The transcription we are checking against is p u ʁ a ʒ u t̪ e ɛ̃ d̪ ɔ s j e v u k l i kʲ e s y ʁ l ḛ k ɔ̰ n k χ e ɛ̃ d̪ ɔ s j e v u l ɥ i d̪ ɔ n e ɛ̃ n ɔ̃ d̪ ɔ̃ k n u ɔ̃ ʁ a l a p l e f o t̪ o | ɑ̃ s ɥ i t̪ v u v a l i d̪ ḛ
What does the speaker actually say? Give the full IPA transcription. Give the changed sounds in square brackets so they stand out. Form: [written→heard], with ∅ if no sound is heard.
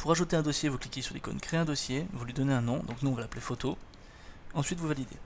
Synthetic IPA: p u ʁ a ʒ u t̪ e ɛ̃ d̪ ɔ s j e v u k l i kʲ e s y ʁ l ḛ k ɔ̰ n k χ e ɛ̃ d̪ ɔ s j e v u l ɥ i d̪ ɔ n e ɛ̃ n ɔ̃ d̪ ɔ̃ k n u ɔ̃ [ʁ→v] a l a p l e f o t̪ o | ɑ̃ s ɥ i t̪ v u v a l i d̪ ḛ